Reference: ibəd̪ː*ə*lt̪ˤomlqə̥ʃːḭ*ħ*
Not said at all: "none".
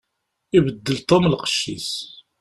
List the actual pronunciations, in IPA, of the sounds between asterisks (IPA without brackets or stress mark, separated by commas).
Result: ə, s